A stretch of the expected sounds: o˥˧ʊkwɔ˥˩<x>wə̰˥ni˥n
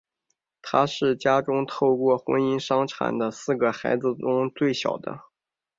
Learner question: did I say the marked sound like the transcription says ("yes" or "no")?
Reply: yes